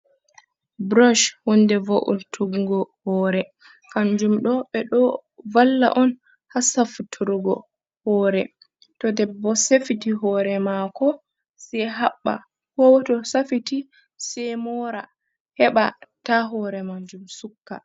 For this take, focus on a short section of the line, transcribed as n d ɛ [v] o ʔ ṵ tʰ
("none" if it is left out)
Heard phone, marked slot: v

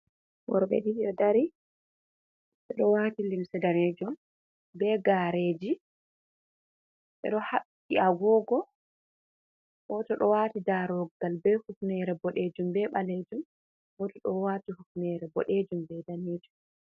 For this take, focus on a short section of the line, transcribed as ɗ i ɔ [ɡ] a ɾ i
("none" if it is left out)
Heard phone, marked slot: d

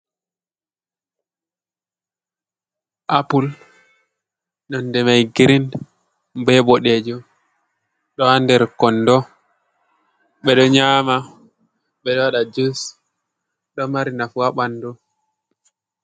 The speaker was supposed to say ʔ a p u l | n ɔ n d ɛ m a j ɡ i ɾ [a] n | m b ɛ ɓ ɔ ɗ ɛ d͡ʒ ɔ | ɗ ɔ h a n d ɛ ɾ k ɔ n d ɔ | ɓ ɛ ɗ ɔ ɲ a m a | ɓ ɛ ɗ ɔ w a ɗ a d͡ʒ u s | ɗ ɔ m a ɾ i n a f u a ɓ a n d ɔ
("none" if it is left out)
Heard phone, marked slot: i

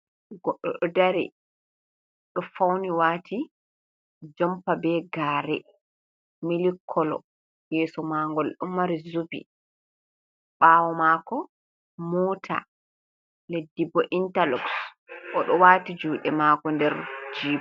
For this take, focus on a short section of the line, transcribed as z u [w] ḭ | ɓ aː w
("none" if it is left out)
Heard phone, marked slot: b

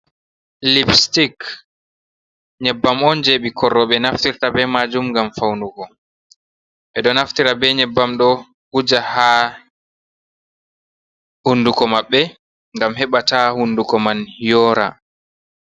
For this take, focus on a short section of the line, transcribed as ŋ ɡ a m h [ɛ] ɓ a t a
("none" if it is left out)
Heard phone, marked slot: ɛ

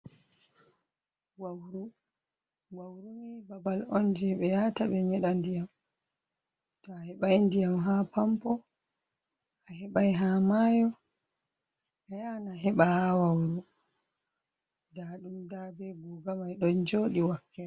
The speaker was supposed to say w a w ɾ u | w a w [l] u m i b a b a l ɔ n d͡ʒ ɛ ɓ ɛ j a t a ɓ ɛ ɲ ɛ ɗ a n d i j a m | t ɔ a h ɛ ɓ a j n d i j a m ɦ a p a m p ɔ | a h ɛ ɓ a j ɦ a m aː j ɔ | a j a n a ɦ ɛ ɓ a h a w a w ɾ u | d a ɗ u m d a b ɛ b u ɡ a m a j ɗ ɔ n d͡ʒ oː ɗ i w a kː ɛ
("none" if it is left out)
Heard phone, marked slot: ɾ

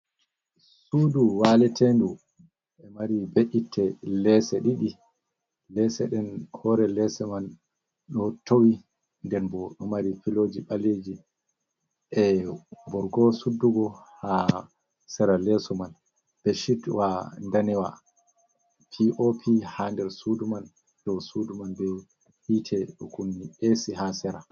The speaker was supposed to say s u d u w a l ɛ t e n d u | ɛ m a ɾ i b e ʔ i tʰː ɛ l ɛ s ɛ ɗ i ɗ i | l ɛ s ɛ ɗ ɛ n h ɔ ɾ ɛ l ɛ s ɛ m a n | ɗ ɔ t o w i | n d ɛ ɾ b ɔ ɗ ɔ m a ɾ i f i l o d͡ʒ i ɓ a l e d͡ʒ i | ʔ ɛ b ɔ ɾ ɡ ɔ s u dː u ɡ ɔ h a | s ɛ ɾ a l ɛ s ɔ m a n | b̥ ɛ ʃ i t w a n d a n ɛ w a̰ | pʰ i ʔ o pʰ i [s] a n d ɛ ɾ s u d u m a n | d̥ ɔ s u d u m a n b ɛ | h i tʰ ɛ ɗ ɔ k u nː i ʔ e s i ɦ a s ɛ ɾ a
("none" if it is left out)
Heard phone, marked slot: h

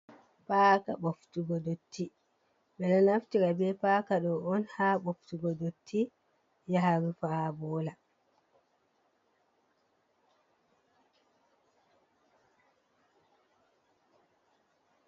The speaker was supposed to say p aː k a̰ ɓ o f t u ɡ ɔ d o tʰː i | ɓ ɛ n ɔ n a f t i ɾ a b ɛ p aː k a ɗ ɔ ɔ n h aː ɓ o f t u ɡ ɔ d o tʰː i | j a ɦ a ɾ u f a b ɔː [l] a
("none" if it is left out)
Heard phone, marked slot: l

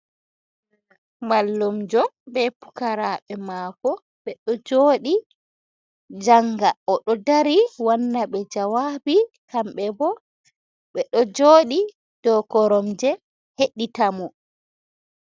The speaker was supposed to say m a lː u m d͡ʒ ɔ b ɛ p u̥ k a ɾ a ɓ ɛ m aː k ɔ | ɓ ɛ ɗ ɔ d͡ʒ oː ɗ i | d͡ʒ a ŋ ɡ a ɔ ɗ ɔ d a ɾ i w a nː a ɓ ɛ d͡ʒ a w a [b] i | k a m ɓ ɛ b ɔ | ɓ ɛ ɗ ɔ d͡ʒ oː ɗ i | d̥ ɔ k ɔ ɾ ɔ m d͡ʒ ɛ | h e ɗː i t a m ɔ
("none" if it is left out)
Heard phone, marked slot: b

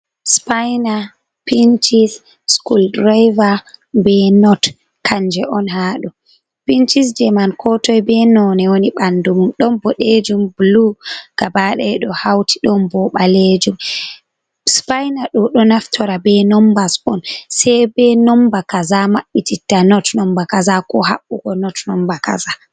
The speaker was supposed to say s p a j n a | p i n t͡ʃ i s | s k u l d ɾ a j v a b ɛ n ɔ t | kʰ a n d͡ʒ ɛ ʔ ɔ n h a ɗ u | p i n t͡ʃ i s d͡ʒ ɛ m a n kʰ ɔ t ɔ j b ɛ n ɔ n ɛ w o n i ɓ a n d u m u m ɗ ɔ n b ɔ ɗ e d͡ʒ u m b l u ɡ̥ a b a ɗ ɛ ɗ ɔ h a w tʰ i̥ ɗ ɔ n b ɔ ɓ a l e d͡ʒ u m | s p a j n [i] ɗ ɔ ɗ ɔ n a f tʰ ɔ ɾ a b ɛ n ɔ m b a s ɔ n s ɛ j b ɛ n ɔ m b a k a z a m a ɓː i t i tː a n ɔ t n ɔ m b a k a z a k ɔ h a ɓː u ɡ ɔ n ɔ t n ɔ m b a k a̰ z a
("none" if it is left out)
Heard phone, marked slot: a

